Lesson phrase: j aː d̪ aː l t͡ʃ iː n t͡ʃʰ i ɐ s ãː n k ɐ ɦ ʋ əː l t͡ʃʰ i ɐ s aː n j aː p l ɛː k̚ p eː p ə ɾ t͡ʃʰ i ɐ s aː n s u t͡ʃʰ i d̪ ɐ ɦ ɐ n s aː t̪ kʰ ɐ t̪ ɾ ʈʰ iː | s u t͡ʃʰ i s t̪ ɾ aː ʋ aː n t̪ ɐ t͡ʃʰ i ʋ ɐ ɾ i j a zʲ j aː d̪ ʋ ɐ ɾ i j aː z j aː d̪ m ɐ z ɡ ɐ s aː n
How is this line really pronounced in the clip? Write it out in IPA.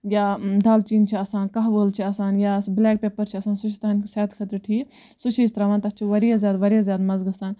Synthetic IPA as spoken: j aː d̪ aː l t͡ʃ iː n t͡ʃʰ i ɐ s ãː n k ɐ ɦ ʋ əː l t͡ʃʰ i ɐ s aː n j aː b l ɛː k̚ p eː p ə ɾ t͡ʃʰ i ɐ s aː n s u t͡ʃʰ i t̪ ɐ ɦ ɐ n s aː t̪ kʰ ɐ t̪ ɾ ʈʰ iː | s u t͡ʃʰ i s t̪ ɾ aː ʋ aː n t̪ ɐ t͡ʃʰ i ʋ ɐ ɾ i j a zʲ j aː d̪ ʋ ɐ ɾ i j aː z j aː d̪ m ɐ z ɡ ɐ s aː n